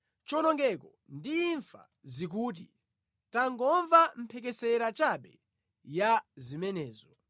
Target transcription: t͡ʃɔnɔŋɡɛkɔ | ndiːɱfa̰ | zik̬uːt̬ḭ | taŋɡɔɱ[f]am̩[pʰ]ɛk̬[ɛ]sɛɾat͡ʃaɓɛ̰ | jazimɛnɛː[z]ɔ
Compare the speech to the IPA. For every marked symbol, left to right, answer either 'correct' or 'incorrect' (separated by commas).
incorrect, correct, correct, correct